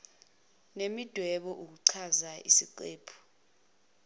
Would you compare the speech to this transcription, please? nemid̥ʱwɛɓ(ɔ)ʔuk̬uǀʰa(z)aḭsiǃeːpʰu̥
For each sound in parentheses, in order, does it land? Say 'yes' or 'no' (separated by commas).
yes, yes